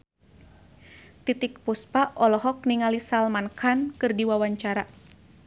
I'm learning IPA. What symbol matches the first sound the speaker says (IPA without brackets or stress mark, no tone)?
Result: t̪